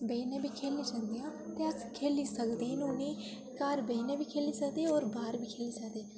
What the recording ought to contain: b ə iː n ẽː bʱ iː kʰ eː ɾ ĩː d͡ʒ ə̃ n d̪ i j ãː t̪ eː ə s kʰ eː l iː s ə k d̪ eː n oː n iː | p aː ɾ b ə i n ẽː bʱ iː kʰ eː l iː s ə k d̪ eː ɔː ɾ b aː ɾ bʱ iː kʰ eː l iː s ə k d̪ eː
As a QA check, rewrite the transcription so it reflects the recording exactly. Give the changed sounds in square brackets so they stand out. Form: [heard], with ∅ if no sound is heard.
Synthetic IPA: b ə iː n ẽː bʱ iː kʰ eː [l] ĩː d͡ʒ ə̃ n d̪ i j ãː t̪ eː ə s kʰ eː l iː s ə k d̪ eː n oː n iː | [k] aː ɾ b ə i n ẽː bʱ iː kʰ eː l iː s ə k d̪ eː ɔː ɾ b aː ɾ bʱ iː kʰ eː l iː s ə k d̪ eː